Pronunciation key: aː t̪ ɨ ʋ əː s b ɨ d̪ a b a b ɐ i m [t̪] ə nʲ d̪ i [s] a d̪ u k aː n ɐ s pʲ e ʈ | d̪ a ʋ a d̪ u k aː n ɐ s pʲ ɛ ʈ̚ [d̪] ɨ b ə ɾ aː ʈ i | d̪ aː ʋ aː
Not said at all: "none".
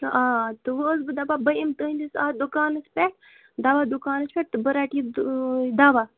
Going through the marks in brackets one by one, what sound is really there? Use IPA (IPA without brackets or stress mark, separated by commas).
t̪, s, t̪